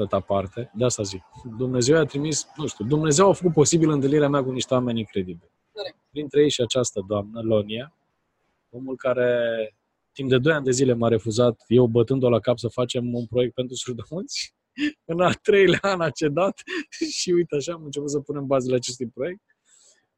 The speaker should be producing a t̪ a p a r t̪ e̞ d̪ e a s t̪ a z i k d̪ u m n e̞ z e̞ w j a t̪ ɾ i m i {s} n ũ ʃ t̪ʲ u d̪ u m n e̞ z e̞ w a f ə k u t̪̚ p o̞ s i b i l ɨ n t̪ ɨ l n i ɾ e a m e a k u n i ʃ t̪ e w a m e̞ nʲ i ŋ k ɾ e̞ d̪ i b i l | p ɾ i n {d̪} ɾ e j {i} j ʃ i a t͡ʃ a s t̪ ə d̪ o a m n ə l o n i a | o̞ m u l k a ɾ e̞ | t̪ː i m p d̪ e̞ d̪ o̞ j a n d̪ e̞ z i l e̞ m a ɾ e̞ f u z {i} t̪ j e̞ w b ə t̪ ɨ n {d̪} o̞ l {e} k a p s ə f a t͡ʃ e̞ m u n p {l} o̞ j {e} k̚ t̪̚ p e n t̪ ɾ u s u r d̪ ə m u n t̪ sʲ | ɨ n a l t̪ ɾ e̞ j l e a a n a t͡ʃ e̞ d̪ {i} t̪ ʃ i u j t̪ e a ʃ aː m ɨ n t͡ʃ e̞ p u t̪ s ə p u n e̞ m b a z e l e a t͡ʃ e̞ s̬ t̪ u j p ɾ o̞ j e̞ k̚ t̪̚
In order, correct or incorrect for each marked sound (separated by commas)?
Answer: correct, incorrect, incorrect, incorrect, correct, incorrect, incorrect, correct, incorrect